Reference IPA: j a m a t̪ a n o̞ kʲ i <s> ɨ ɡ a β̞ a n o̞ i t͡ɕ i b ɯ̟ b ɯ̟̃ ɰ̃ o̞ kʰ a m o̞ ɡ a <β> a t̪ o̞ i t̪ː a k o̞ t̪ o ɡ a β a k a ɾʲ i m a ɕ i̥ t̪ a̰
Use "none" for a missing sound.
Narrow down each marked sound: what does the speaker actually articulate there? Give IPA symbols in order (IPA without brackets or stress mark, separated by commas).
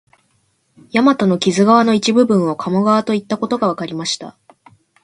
z, β